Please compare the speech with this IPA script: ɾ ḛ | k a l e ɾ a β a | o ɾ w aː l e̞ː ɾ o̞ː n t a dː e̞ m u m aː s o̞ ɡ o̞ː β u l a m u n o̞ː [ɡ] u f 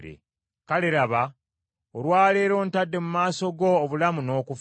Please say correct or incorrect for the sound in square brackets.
incorrect